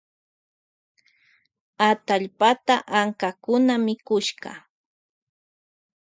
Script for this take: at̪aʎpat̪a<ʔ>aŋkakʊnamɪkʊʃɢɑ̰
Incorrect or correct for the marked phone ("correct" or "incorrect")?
correct